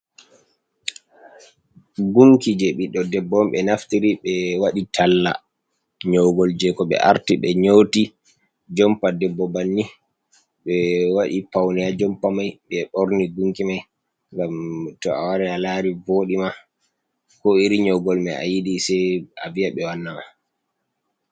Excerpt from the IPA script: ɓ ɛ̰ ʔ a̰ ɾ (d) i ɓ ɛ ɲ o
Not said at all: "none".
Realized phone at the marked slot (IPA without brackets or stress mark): t